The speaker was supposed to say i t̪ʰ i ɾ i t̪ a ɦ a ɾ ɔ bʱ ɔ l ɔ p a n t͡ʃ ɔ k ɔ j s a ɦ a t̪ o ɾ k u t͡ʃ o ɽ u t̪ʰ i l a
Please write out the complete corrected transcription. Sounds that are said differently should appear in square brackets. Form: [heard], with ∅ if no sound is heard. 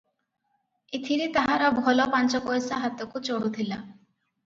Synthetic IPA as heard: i t̪ʰ i ɾ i t̪ a ɦ a ɾ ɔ bʱ ɔ l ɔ p a n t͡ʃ ɔ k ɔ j s a ɦ a t̪ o [∅] k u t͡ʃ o ɽ u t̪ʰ i l a